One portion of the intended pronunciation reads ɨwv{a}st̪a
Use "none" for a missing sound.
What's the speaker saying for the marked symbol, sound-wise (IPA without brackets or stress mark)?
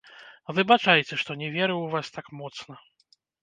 a